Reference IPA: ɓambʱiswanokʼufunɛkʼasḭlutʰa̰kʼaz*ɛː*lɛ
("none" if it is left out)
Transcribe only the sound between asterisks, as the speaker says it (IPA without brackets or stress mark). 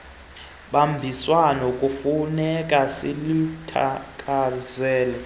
ɛː